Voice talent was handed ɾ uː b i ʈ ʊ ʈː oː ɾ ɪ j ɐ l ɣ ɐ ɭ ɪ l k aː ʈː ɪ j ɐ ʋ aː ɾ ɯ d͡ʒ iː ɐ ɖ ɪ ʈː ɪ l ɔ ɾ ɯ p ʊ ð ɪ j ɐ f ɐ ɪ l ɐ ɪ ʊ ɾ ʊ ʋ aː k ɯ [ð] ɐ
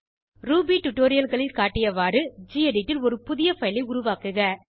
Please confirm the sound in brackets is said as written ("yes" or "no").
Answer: no